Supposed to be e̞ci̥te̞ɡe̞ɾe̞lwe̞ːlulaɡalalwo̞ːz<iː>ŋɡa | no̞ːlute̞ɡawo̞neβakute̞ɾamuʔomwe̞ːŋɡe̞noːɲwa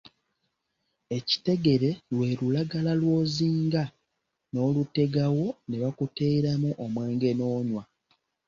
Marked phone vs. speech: correct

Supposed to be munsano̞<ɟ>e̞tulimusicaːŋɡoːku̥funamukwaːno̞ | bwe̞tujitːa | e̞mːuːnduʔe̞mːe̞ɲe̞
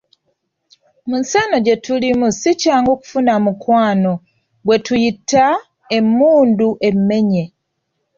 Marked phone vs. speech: correct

